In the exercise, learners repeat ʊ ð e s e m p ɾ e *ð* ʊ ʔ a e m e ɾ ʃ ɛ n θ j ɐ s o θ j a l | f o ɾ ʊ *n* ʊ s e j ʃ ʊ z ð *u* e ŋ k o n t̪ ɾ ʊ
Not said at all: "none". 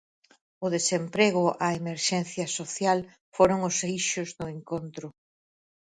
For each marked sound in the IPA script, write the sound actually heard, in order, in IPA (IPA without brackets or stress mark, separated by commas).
ɣ, ŋ, ʊ